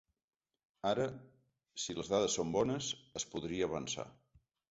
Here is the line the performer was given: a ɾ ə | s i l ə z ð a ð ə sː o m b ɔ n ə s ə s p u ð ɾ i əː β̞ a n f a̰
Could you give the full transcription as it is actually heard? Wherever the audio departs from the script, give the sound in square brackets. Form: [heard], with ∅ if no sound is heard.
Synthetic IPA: a ɾ ə | s i l ə z ð a ð ə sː o m b ɔ n ə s ə s p u ð ɾ i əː β̞ [ə] n [s] a̰